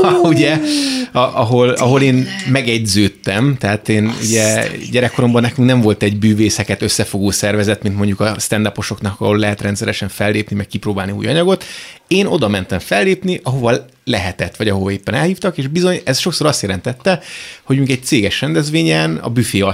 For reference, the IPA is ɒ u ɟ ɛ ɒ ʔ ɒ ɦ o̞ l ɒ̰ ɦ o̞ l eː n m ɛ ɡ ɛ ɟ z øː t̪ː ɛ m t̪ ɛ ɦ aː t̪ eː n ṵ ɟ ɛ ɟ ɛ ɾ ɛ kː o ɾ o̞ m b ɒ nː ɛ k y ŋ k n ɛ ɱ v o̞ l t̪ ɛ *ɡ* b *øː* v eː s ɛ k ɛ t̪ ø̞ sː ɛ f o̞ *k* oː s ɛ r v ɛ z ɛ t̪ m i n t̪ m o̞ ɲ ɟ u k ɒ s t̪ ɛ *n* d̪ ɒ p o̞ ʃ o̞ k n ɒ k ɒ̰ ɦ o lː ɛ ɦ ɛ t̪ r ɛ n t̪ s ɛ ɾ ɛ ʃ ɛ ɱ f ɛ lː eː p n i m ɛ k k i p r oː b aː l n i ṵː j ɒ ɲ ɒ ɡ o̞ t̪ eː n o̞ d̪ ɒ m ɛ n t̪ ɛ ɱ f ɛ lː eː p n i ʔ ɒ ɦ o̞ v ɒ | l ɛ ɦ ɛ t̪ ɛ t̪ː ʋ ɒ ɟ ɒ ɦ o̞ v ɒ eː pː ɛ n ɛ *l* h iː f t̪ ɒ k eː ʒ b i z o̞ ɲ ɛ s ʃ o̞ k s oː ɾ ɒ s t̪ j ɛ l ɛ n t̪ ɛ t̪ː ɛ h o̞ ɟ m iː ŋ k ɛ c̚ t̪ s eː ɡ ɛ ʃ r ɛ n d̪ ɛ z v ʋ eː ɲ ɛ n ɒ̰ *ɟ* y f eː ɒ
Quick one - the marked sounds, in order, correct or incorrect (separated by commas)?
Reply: incorrect, incorrect, incorrect, correct, correct, incorrect